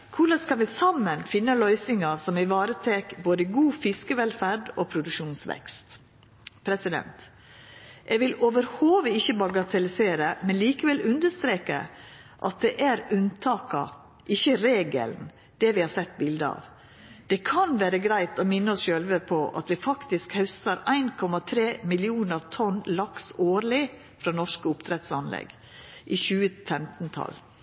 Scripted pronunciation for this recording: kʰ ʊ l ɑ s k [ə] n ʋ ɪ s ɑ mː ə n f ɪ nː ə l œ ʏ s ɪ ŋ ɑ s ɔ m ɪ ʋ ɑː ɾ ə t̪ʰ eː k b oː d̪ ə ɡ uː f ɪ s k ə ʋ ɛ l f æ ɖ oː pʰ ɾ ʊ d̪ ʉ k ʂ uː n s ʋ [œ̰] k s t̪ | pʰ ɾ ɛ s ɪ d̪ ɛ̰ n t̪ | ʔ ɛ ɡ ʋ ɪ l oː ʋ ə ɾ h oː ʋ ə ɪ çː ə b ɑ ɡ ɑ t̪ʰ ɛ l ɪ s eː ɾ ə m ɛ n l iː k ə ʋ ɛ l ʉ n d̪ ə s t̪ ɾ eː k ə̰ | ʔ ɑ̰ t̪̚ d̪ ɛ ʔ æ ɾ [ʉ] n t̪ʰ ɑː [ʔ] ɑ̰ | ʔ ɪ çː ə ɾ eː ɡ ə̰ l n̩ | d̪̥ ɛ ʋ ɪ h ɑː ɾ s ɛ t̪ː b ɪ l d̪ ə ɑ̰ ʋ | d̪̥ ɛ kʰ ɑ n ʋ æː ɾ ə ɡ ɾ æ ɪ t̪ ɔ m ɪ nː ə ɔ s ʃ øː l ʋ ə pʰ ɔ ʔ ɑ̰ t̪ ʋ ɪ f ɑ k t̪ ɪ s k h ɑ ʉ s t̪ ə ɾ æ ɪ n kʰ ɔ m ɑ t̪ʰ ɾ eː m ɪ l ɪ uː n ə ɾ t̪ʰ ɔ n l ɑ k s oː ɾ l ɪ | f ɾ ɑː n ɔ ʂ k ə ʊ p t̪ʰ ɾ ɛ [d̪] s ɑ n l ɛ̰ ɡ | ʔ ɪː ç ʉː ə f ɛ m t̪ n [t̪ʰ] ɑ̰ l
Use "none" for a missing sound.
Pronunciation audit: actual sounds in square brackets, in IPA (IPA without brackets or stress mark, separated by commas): ɑ, ɛ̰, ʉ, k, t̪, t̪ʰ